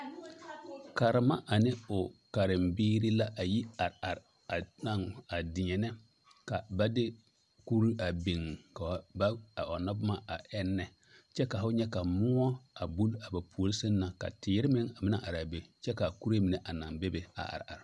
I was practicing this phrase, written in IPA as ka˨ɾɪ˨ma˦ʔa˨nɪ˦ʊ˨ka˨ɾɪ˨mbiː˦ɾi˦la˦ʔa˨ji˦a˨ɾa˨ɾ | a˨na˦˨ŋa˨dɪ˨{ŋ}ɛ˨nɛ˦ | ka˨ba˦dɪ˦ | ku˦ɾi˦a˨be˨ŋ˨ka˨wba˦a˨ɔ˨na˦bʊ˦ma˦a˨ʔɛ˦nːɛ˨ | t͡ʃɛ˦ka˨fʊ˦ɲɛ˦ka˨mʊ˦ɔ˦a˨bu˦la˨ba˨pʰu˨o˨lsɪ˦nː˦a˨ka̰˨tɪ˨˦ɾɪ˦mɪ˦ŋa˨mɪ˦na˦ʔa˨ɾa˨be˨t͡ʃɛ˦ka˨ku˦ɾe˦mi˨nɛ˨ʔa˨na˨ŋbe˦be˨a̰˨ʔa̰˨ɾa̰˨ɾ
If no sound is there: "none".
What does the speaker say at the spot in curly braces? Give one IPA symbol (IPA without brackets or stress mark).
ɲ